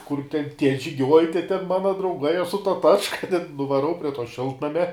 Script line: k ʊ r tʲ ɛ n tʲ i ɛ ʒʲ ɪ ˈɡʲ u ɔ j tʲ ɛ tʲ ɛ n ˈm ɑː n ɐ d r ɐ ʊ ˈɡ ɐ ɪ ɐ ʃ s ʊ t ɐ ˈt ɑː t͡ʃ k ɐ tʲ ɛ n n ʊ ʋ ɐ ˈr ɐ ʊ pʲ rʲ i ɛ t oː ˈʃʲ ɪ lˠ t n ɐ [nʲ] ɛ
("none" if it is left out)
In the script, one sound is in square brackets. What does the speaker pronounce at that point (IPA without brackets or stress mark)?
mʲ